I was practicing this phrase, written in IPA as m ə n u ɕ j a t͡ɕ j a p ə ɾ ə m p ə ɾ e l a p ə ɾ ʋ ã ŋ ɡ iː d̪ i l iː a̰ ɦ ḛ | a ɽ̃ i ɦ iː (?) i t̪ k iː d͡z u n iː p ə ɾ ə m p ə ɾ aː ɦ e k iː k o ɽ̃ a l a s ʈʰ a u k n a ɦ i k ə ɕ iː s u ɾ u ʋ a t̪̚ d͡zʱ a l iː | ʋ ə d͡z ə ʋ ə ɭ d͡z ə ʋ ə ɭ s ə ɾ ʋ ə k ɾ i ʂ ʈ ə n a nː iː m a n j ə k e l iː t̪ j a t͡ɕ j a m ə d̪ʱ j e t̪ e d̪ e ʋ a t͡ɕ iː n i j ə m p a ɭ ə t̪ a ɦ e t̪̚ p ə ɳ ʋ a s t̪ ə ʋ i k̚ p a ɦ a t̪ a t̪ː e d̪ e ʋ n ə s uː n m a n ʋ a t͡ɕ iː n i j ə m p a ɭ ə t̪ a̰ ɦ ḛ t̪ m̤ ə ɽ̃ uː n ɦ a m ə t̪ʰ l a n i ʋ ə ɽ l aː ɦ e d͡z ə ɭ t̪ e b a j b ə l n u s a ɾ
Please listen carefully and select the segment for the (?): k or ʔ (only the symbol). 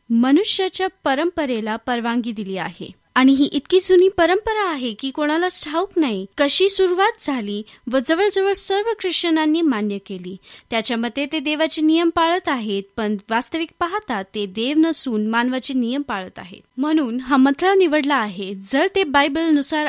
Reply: ʔ